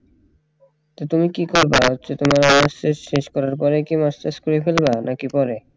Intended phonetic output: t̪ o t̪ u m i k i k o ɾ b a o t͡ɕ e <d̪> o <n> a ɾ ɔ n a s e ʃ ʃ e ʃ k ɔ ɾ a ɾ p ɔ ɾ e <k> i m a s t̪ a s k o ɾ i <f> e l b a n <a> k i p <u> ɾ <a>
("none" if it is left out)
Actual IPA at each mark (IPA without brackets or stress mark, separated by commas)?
t̪, m, k, f, a, ɔ, e